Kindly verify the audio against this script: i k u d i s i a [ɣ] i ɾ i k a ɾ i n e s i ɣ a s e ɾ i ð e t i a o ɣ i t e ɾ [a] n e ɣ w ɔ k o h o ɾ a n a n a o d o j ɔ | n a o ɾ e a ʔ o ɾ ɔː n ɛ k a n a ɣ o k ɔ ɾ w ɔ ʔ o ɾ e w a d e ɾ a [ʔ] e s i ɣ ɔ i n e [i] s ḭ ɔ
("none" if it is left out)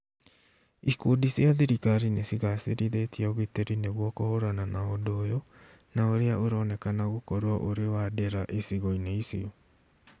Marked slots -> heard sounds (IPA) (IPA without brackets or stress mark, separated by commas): ð, i, ʔ, i